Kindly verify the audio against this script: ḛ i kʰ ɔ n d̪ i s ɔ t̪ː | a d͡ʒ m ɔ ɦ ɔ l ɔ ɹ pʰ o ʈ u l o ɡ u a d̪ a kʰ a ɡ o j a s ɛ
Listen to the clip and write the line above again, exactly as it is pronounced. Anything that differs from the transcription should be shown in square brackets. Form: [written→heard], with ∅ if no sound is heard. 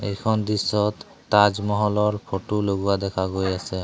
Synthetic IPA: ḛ [i→j] kʰ ɔ n d̪ i s ɔ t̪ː | a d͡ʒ m ɔ ɦ ɔ l ɔ ɹ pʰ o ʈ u l o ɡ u a d̪ [a→ɛ] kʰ a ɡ o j a s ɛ